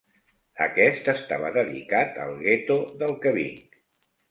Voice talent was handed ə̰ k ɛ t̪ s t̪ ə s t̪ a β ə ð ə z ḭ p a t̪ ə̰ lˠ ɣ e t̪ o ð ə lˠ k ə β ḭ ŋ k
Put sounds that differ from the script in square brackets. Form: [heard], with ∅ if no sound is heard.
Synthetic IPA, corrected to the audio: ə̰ k ɛ [∅] s t̪ ə s t̪ a β ə ð ə [ð] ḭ [k] a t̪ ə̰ lˠ ɣ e t̪ o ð ə lˠ k ə β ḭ ŋ k